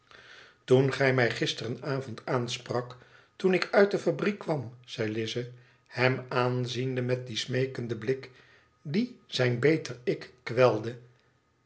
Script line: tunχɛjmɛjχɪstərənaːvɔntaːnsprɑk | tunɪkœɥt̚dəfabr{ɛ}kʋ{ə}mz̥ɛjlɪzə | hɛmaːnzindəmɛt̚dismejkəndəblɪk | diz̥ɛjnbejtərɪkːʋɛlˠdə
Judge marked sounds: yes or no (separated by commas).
no, no